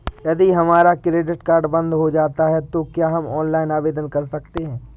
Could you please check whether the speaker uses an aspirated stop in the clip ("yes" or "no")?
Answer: no